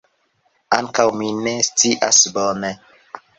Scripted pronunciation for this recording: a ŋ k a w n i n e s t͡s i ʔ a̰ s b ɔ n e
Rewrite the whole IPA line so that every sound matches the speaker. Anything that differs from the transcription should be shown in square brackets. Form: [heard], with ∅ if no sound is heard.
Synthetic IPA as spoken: a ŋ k a w [m] i n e s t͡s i ʔ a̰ s b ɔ n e